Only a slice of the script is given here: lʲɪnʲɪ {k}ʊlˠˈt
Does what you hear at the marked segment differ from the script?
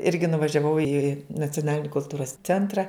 no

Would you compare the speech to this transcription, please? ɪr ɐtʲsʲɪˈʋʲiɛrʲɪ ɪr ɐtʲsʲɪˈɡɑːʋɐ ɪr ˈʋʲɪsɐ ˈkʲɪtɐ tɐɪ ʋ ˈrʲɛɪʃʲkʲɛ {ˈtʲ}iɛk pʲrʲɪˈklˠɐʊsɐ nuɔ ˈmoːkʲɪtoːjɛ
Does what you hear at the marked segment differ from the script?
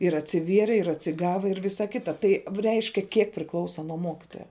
yes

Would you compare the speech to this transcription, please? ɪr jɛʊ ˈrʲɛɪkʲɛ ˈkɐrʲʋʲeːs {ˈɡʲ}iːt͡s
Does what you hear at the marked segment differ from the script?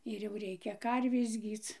no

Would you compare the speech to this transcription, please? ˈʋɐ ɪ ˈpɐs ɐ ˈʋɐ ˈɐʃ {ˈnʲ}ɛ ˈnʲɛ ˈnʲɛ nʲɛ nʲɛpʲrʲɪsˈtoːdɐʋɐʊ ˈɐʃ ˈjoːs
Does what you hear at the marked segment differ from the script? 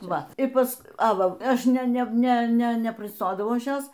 no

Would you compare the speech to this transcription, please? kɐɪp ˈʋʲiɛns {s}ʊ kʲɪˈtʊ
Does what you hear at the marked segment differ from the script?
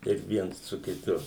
no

